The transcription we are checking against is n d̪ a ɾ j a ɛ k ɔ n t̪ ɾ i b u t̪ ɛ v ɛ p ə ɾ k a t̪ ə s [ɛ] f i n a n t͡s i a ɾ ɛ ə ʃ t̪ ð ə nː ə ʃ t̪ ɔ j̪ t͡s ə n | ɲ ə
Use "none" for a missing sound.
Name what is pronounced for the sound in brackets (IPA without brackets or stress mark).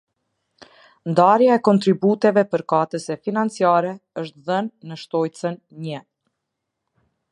ɛ